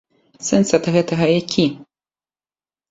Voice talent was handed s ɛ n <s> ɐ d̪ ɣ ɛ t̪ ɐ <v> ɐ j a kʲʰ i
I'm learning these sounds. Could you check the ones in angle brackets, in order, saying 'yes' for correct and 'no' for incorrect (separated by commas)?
yes, no